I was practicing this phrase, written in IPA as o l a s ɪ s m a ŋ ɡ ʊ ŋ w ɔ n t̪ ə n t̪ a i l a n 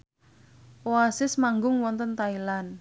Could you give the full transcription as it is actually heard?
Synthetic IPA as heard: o a s ɪ s m a ŋ ɡ ʊ ŋ w ɔ n t̪ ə n t̪ a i l a n